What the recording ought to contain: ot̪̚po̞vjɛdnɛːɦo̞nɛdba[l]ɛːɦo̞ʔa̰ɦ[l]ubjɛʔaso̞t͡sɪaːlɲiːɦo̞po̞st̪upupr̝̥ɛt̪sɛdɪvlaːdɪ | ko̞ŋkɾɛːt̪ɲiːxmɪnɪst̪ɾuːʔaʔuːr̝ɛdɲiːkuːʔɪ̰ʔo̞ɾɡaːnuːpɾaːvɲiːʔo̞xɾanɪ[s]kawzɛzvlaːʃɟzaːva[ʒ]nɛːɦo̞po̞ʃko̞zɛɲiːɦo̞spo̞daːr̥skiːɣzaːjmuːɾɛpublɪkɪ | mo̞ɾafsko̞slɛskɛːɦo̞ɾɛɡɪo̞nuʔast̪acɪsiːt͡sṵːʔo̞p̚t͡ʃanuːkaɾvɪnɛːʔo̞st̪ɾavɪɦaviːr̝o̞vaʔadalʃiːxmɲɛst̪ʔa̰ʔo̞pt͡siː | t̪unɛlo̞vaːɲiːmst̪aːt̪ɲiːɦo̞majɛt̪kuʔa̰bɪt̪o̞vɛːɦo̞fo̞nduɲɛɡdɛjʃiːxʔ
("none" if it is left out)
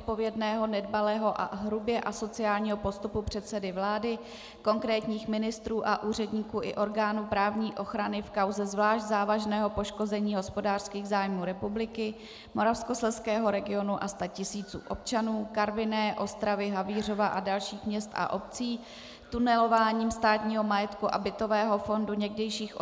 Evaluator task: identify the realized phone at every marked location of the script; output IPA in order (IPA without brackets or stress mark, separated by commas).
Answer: l, ɾ, f, ʒ